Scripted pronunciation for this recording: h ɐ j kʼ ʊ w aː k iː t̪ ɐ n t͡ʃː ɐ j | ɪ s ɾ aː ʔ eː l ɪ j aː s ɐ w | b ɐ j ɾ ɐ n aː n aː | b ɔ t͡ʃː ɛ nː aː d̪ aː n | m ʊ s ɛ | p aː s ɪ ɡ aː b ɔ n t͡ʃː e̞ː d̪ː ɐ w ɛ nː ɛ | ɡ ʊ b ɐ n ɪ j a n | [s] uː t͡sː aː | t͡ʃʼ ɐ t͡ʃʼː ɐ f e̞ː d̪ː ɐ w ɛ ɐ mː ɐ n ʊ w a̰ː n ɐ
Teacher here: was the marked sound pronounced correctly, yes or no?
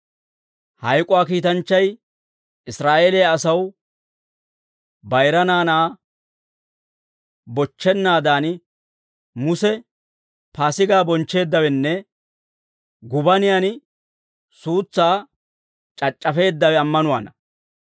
yes